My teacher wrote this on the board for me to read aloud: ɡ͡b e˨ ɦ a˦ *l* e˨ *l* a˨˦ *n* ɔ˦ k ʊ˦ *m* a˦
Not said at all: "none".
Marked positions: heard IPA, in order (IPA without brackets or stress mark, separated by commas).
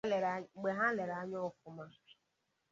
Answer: l, ɾ, ɲ, m